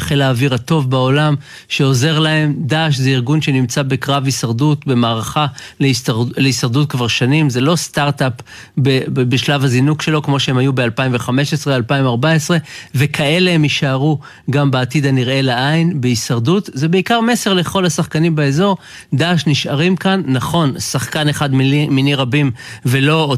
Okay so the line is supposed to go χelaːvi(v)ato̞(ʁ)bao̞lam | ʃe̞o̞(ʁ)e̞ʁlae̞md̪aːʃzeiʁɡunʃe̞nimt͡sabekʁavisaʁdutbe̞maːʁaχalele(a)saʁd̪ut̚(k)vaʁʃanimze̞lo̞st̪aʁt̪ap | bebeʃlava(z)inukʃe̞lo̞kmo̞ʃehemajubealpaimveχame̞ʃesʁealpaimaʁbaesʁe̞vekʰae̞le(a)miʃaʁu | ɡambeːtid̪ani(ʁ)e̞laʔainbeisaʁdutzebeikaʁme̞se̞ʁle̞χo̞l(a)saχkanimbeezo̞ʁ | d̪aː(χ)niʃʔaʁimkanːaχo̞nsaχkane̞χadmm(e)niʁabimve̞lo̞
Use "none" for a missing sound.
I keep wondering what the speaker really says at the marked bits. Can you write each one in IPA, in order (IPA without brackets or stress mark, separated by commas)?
ʁ, v, z, i, k, z, e, ʁ, a, ʃ, i